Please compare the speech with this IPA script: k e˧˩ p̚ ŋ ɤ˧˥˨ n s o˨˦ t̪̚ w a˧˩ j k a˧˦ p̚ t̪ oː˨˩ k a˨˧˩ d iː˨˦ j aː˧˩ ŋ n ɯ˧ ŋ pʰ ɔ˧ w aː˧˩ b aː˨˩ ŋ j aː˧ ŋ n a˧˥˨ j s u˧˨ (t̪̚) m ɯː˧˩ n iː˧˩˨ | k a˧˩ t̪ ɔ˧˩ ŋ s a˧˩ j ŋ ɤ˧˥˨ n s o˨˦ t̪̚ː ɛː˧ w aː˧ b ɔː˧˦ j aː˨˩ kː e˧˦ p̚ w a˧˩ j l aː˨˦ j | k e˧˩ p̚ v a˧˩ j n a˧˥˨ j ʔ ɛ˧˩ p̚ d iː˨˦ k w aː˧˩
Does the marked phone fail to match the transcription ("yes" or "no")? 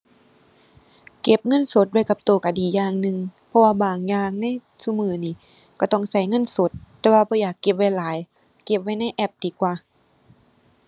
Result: yes